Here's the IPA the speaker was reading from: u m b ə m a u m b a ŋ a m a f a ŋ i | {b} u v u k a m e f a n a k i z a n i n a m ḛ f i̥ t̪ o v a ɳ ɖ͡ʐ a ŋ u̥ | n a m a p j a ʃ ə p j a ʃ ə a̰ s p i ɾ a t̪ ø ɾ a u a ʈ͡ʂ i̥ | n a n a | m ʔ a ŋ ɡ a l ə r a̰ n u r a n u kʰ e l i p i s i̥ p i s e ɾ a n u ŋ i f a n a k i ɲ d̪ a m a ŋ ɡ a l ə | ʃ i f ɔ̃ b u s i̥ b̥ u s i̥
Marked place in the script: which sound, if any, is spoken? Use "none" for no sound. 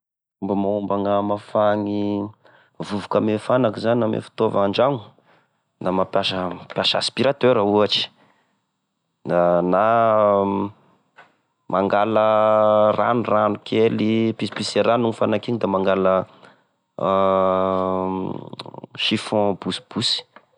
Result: v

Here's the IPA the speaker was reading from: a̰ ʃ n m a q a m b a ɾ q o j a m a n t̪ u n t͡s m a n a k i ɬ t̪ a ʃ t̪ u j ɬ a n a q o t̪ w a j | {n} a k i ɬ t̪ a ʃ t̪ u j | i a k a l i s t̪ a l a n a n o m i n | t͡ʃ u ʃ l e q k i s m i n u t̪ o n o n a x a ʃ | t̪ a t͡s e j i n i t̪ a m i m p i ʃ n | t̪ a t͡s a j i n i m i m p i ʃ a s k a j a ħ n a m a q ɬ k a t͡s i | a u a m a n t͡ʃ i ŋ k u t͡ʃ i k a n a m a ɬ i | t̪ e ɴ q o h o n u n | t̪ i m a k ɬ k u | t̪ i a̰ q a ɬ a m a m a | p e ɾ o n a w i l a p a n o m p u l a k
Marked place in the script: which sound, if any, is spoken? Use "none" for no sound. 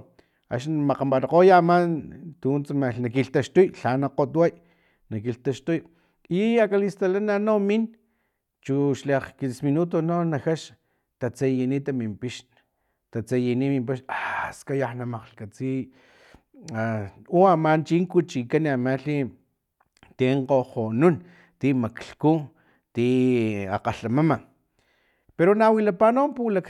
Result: n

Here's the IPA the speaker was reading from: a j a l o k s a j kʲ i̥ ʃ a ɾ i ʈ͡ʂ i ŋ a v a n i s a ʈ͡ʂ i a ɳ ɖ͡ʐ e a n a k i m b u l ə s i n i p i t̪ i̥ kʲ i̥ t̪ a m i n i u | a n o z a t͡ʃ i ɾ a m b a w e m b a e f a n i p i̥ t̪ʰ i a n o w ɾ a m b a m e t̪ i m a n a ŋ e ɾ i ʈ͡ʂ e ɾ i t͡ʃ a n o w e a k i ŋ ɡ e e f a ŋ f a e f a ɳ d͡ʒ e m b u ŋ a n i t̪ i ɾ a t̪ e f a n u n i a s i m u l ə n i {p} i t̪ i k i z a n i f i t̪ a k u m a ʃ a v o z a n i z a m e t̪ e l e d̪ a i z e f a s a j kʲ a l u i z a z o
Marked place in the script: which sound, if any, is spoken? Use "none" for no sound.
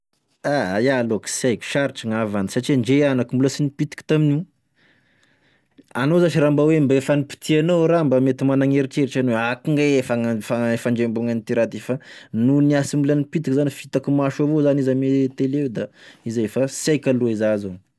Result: p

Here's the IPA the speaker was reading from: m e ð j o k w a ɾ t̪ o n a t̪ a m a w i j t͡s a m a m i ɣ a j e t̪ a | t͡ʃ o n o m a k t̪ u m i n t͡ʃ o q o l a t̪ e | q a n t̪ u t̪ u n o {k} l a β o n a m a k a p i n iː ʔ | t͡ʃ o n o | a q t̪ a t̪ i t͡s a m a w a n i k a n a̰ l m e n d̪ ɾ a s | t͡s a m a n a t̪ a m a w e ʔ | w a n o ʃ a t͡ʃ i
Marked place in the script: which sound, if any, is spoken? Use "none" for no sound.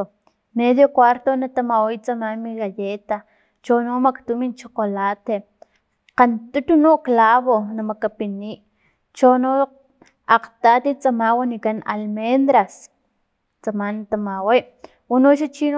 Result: k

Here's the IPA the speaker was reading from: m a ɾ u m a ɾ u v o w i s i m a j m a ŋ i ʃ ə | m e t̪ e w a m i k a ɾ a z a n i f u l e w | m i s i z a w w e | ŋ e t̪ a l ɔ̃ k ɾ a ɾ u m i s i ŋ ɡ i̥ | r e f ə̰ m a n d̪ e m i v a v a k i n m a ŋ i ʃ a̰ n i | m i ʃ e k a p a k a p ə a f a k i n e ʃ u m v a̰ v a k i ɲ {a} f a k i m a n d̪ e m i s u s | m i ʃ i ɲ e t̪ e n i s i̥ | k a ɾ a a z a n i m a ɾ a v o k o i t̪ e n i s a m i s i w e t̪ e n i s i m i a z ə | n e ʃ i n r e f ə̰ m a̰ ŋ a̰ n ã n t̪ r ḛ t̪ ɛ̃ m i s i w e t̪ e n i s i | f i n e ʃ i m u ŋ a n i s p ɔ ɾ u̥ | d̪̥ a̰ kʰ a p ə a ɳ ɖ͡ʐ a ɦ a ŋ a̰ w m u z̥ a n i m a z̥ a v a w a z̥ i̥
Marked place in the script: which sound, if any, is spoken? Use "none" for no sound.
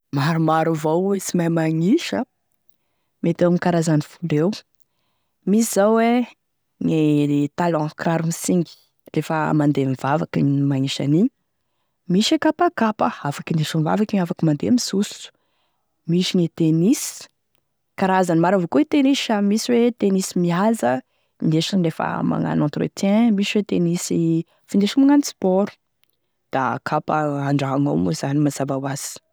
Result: a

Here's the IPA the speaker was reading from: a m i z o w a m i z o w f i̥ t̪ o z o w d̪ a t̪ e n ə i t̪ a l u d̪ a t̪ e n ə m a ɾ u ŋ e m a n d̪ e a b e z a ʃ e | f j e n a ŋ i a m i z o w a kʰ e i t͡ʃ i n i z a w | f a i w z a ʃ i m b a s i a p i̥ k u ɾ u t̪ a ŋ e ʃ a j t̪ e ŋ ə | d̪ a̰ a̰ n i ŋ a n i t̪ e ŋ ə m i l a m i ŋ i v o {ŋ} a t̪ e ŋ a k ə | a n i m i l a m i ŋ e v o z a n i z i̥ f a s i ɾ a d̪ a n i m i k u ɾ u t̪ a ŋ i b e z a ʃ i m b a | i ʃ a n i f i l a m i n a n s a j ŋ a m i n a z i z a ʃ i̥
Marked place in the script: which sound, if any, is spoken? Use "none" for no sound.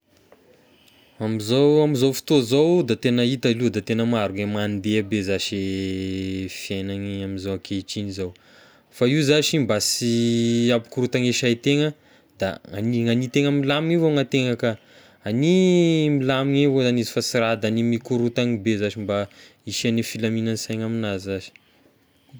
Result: ŋ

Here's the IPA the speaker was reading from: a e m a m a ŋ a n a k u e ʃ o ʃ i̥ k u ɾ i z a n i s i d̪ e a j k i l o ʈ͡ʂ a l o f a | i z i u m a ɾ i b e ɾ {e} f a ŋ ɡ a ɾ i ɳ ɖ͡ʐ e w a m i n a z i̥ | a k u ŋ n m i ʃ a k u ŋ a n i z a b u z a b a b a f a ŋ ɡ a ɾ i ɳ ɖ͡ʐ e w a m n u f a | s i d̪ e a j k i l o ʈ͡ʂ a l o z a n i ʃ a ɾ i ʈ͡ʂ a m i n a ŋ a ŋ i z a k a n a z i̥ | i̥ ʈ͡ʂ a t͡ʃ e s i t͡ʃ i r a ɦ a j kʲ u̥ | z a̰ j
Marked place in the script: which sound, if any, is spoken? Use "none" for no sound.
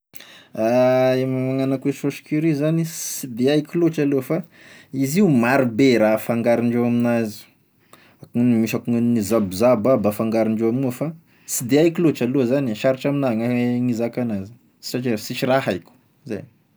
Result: a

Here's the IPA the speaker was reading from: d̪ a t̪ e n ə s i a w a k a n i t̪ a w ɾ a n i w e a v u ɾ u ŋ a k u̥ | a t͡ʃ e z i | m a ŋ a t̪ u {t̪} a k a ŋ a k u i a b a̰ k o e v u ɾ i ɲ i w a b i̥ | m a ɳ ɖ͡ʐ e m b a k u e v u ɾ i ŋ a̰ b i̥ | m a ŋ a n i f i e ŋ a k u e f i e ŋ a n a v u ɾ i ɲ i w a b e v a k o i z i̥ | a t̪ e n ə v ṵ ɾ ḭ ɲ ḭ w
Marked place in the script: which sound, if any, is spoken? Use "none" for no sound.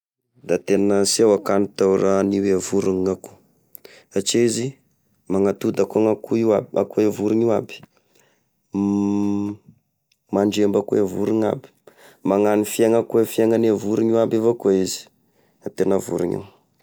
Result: d̪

